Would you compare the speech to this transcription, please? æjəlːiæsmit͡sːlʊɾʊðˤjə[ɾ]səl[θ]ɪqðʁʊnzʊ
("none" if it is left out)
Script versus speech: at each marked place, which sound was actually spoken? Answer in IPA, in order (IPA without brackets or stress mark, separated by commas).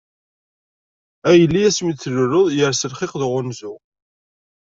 ɾ, χ